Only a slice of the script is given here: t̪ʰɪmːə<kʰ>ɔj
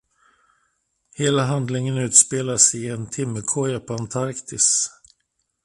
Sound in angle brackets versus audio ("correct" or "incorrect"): correct